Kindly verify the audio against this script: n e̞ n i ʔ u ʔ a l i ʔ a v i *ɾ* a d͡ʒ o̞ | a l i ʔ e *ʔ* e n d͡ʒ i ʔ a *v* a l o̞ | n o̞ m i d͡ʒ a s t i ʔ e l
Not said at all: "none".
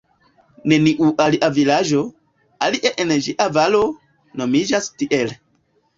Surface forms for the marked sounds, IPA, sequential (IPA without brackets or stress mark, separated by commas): l, ʔ, v